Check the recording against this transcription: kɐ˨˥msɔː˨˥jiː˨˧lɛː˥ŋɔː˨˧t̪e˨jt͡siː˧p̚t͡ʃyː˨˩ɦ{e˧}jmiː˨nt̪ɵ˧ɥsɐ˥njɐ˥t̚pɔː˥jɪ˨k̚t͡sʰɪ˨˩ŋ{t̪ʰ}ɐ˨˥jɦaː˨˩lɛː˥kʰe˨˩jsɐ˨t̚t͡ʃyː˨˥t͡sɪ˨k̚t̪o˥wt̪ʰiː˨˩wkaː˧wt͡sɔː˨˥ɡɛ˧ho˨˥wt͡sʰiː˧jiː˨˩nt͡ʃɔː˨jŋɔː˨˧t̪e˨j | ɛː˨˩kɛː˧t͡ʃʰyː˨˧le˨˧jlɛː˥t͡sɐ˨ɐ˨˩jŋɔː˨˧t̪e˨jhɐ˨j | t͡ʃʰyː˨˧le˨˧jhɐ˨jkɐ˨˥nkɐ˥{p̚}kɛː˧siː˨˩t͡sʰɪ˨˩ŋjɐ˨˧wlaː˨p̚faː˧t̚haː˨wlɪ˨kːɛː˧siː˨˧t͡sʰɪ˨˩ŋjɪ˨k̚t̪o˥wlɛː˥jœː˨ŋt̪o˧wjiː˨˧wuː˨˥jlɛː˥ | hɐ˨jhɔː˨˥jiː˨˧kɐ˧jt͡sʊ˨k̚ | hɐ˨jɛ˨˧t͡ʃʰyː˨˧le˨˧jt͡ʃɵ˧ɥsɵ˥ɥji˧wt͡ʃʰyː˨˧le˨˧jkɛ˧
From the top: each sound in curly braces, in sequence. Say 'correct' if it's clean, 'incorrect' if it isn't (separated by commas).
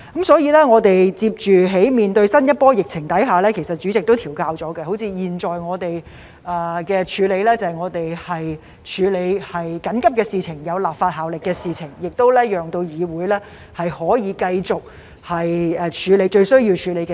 incorrect, incorrect, correct